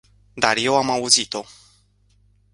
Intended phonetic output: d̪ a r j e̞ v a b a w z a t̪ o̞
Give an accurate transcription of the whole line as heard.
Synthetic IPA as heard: d̪ a r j e̞ w a m a u z i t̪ o̞